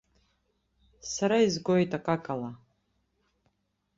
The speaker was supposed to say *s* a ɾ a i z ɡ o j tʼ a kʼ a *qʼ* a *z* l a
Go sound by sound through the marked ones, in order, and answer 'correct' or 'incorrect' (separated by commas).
correct, incorrect, incorrect